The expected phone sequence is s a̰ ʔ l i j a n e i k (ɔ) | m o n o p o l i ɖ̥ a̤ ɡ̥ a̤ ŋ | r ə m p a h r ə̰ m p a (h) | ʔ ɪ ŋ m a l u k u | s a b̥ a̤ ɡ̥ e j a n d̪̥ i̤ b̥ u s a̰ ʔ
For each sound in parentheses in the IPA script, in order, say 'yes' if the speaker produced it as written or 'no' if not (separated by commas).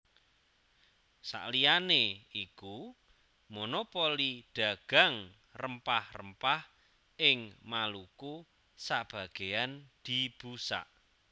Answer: no, yes